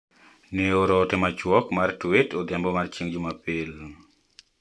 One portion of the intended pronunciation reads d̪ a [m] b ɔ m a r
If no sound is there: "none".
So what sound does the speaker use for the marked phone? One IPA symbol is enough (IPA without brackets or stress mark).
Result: m